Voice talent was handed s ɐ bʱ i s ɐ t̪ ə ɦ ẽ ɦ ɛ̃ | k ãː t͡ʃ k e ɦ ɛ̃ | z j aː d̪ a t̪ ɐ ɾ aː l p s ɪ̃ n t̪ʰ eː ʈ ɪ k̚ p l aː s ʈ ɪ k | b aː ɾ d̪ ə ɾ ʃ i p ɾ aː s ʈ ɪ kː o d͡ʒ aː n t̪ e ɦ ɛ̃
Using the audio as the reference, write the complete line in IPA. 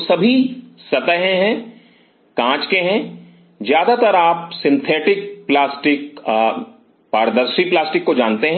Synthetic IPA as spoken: s ɐ bʱ i s ɐ t̪ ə ɦ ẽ ɦ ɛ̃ | k ãː t͡ʃ k e ɦ ɛ̃ | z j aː d̪ a t̪ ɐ ɾ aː p s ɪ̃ n t̪ʰ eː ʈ ɪ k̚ p l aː s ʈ ɪ k | p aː ɾ d̪ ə ɾ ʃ i p l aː s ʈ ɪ kː o d͡ʒ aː n t̪ e ɦ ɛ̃